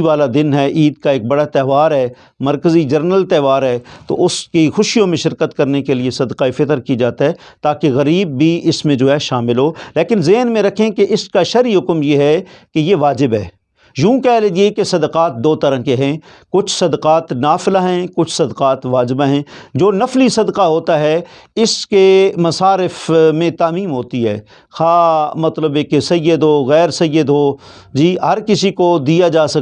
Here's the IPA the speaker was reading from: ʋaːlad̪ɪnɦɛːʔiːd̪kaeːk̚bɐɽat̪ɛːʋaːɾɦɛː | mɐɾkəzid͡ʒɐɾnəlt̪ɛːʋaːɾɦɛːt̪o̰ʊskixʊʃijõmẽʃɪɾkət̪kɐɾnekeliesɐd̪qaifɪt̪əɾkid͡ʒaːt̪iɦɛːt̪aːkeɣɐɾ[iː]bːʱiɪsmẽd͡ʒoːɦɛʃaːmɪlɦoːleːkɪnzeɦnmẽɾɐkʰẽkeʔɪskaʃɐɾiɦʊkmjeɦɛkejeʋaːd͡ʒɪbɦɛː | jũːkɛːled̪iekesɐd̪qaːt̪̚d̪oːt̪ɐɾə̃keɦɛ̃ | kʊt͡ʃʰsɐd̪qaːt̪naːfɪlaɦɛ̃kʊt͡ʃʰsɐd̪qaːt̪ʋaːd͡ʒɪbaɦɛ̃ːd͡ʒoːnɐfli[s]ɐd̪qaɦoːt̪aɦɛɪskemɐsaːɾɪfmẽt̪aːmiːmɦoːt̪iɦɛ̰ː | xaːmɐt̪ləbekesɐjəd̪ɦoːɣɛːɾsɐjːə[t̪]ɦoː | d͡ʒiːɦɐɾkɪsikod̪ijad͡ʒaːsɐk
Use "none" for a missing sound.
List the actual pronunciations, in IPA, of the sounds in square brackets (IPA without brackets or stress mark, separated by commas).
iː, s, d̪